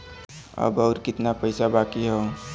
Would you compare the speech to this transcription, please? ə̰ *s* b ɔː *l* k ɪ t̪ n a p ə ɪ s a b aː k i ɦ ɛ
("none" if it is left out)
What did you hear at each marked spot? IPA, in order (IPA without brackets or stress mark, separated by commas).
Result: none, ɾ